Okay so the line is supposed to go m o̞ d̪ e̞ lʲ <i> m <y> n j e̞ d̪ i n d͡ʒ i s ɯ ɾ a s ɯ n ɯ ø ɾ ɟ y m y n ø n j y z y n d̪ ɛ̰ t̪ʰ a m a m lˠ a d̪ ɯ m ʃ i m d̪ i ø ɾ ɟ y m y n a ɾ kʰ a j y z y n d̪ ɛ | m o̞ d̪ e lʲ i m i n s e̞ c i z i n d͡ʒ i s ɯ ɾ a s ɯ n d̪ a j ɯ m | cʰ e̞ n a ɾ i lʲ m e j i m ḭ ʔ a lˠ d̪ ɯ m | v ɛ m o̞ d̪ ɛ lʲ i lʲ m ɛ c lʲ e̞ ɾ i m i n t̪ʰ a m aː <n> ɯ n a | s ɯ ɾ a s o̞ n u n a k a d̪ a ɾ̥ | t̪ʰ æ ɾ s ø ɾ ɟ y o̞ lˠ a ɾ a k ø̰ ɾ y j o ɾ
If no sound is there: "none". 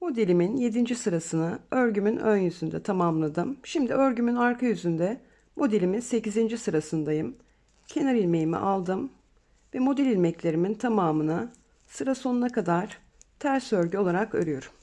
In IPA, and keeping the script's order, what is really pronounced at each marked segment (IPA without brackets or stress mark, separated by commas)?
i, i, m